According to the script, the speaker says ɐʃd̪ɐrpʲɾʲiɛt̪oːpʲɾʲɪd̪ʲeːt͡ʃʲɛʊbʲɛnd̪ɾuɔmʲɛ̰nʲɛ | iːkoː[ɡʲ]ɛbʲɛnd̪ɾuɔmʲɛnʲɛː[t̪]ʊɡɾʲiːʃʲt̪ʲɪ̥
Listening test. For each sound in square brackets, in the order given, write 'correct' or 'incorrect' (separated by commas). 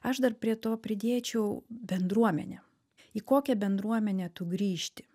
incorrect, correct